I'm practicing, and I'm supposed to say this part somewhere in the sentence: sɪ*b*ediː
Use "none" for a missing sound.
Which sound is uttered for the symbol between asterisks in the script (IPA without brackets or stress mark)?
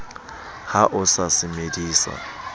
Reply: m